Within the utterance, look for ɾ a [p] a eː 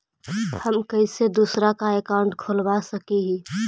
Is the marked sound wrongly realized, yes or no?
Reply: yes